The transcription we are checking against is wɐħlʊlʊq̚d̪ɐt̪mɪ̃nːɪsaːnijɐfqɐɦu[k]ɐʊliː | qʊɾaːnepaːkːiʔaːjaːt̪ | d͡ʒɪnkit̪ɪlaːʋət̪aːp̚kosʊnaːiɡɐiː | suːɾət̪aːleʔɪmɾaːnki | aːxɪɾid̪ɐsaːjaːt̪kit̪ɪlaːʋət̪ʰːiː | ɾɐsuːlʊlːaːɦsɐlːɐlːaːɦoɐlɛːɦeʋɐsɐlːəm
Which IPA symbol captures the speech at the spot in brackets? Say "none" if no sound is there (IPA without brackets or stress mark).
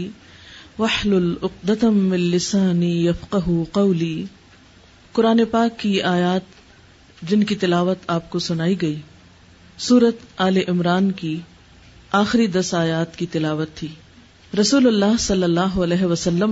q